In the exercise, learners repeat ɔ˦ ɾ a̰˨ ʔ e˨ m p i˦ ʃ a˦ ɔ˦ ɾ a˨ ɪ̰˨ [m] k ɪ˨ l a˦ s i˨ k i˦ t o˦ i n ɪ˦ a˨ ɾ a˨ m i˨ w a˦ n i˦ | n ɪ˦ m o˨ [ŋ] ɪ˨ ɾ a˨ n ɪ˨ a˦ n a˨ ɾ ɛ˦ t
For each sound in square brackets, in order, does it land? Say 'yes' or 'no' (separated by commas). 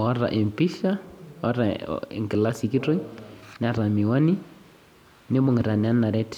no, yes